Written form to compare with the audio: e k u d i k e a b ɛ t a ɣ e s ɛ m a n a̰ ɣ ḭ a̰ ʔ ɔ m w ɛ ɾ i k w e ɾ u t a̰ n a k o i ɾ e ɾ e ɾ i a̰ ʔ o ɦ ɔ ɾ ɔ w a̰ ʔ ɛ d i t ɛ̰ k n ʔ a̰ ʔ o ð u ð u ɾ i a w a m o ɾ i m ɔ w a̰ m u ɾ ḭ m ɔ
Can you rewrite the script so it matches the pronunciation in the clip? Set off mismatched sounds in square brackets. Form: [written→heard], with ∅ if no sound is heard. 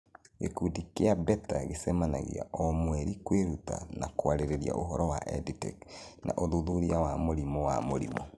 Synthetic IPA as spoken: e k u d i k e a b ɛ t a ɣ e s ɛ m a n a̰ ɣ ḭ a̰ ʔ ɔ m w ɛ ɾ i k w e ɾ u t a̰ n a k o [i→a] ɾ e ɾ e ɾ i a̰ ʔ o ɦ ɔ ɾ ɔ w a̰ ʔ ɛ d i t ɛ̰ k n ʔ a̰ ʔ o ð u ð u ɾ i a w a m o ɾ i m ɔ w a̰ m [u→o] ɾ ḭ m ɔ